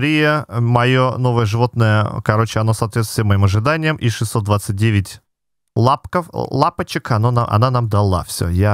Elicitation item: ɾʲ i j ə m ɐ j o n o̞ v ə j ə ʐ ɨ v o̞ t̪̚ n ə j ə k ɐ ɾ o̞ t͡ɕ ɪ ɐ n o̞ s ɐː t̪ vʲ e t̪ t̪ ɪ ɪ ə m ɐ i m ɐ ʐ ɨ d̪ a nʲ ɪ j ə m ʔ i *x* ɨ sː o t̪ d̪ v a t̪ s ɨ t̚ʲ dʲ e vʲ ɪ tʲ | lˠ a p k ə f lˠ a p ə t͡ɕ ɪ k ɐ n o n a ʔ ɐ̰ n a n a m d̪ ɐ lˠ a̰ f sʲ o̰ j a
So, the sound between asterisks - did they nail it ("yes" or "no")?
no